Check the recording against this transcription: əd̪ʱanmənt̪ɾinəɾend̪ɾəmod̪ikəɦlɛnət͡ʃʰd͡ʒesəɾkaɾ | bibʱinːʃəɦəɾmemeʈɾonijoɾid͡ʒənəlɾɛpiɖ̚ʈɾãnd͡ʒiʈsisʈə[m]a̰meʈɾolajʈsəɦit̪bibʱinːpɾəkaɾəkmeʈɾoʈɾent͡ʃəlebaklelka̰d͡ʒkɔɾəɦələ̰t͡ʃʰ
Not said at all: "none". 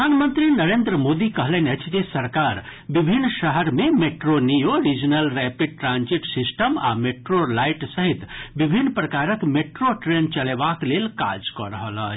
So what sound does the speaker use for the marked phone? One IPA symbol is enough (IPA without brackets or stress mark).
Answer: m